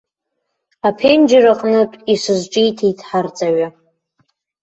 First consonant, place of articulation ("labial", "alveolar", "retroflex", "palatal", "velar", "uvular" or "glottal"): labial